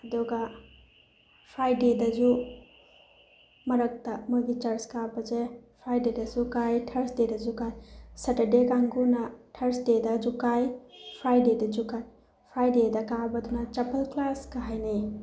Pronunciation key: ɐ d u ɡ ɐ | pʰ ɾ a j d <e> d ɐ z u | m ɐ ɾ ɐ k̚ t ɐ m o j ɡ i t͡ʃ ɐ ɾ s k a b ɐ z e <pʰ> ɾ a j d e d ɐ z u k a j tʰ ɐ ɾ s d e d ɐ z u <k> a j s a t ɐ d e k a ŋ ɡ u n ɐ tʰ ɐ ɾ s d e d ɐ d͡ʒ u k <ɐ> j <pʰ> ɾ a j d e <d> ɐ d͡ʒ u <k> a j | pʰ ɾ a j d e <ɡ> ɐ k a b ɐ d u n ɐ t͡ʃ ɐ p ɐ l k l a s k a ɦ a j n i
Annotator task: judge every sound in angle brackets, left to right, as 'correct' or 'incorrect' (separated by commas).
correct, correct, correct, incorrect, correct, correct, correct, incorrect